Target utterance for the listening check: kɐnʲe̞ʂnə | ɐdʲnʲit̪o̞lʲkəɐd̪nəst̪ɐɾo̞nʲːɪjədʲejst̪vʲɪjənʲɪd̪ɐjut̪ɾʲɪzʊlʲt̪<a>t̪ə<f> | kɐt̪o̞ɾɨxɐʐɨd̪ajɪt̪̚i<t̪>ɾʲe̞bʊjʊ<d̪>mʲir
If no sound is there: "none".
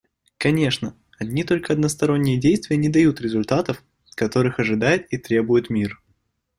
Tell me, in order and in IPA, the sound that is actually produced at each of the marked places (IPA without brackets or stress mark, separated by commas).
a, f, t̪, t̪